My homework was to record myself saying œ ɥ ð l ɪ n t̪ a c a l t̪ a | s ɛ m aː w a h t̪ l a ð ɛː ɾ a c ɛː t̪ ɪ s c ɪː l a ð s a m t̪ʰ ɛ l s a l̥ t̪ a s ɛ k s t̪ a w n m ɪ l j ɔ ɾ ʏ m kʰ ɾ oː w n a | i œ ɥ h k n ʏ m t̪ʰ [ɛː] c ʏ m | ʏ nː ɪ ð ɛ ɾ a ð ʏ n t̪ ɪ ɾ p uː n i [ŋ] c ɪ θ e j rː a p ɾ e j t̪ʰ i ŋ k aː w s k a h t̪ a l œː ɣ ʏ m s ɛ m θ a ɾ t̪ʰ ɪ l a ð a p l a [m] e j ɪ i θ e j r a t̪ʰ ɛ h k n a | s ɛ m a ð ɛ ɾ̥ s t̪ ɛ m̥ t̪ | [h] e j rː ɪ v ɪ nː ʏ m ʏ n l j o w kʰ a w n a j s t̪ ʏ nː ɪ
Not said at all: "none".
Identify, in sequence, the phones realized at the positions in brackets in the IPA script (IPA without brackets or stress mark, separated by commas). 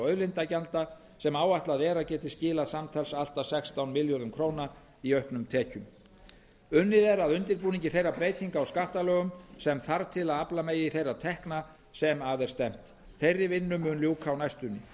ɛː, ɲ, m, θ